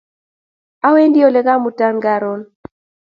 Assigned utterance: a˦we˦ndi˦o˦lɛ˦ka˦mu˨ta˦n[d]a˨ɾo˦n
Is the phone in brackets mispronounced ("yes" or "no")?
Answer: yes